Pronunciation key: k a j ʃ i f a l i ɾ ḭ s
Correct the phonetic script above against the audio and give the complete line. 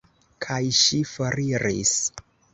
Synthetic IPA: kʰ a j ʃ i f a ɾ i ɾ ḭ s